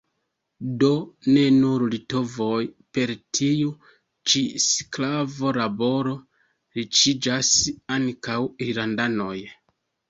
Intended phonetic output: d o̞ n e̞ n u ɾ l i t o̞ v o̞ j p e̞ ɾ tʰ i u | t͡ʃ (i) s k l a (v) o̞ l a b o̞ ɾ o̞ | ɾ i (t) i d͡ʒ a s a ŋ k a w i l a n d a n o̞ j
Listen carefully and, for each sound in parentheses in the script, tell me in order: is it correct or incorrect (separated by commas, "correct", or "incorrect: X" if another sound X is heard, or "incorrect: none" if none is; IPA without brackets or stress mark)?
correct, correct, incorrect: t͡ʃ